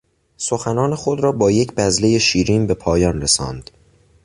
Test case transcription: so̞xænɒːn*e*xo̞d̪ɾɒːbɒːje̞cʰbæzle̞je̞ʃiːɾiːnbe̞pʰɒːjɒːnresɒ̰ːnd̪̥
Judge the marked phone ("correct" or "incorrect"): correct